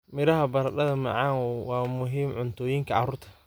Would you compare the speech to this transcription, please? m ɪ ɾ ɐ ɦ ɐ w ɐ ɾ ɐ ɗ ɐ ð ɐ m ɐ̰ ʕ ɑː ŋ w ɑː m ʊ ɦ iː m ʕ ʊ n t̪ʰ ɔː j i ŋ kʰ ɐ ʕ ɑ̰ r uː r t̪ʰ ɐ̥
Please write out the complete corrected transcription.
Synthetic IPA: m ɪ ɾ ɐ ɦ ɐ b ɐ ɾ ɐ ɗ ɐ ð ɐ m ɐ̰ ʕ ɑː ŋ w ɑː m ʊ ɦ iː m ʕ ʊ n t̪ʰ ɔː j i ŋ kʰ ɐ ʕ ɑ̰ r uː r t̪ʰ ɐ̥